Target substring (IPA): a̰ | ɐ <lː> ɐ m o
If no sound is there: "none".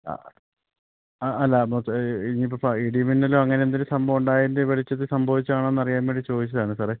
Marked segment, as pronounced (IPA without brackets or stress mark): lː